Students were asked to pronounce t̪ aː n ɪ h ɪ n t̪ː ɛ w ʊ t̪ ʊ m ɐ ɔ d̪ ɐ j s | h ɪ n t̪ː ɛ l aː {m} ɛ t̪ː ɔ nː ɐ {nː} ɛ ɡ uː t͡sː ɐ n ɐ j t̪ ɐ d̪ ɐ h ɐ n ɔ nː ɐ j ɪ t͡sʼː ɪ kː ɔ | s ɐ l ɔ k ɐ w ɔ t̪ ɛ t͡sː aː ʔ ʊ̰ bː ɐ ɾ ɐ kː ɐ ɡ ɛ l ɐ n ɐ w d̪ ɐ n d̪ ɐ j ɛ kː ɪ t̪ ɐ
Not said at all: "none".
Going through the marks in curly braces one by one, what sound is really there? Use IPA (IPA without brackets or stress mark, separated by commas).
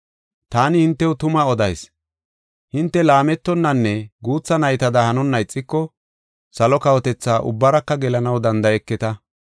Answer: m, nː